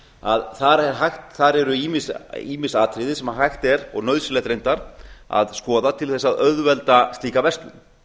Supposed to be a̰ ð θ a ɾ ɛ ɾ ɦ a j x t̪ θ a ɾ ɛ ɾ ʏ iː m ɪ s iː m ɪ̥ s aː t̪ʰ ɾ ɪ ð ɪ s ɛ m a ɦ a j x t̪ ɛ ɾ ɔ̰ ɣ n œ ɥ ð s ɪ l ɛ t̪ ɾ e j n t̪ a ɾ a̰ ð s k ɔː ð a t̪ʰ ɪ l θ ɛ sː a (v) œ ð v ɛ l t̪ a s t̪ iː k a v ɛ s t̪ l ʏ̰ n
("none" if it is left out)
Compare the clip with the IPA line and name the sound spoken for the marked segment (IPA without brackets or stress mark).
ð